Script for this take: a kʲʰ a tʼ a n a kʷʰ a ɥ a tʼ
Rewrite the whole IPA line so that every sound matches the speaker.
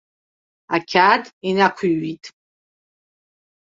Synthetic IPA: a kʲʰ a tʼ i n a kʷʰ i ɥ i tʼ